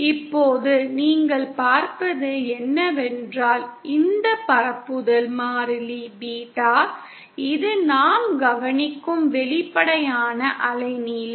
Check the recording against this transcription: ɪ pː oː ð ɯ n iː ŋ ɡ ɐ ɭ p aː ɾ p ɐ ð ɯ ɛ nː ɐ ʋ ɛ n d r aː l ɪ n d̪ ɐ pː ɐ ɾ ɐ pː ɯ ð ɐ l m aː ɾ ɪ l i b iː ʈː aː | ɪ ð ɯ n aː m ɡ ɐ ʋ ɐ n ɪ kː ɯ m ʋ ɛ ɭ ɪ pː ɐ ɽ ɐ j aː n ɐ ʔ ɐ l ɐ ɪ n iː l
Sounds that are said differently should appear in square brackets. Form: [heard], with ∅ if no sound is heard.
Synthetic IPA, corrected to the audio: ɪ pː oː ð ɯ n iː ŋ ɡ ɐ ɭ p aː ɾ p ɐ ð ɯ ɛ nː ɐ ʋ ɛ n d r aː l ɪ n d̪ ɐ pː ɐ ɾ ɐ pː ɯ ð ɐ l m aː ɾ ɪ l i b iː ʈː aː | ɪ ð ɯ n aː m ɡ ɐ ʋ ɐ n ɪ kː ɯ m ʋ ɛ ɭ ɪ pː ɐ ɽ ɐ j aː n ɐ ʔ ɐ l ɐ ɪ n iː l